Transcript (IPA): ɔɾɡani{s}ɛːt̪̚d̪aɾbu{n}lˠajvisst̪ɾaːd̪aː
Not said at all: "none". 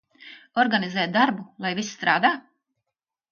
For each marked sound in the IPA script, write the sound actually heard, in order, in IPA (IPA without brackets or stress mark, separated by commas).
z, none